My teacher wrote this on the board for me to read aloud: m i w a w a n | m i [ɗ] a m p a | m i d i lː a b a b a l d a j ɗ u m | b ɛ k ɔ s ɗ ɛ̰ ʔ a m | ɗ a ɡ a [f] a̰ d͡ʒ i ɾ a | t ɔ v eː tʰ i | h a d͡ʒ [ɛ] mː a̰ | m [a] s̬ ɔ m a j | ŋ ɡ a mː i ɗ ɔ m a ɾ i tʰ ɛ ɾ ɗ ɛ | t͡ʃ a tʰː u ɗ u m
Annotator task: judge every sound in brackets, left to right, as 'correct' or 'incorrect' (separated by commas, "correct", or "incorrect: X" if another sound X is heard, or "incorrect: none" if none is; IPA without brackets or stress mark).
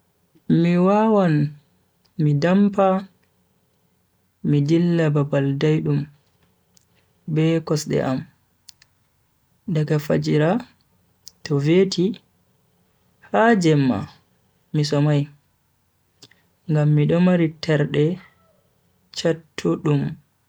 incorrect: d, correct, correct, incorrect: i